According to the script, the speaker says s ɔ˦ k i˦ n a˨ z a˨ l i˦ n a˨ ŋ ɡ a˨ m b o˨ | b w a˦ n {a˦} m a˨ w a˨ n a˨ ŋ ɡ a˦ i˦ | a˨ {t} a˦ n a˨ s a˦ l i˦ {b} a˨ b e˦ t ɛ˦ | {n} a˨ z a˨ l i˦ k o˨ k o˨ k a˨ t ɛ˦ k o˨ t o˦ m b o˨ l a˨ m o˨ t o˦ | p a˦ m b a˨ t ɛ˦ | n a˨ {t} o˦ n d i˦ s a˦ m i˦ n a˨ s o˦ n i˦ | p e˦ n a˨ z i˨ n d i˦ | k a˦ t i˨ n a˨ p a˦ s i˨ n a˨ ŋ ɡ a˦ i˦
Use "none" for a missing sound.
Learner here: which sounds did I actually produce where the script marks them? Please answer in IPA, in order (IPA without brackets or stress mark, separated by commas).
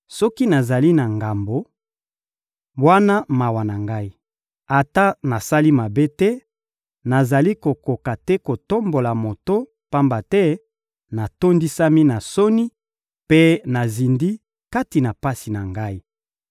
a˦, t, m, n, t